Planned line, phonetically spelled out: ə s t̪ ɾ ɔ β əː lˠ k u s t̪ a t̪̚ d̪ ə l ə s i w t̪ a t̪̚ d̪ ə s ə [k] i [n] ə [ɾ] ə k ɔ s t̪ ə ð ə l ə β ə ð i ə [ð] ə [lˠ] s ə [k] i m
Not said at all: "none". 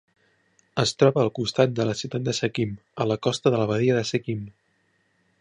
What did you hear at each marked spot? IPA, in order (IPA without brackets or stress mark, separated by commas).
k, m, l, ð, none, k